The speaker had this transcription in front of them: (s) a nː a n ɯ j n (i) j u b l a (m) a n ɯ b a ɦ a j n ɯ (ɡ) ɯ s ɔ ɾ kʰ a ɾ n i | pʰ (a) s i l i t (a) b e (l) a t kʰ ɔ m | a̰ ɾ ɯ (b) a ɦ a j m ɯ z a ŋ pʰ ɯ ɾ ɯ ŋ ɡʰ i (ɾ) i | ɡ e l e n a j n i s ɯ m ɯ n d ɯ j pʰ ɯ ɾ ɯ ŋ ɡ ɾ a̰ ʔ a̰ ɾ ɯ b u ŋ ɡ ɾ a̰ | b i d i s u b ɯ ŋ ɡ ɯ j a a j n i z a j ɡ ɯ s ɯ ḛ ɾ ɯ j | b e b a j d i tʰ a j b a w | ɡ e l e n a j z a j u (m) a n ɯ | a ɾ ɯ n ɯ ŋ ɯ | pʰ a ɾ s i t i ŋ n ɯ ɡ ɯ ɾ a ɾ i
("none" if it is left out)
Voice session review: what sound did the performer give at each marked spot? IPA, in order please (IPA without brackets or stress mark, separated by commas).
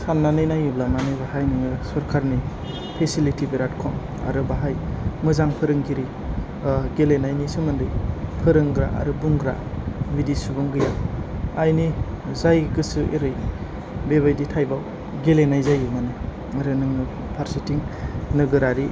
s, a, m, ŋ, e, i, ɾ, b, ɾ, m